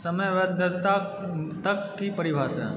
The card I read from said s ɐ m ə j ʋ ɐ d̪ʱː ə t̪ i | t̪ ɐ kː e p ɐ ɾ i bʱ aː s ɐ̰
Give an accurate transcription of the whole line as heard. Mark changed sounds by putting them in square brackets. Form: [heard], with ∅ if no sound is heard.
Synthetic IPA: s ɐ m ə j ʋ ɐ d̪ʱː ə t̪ [a] | t̪ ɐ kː [i] p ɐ ɾ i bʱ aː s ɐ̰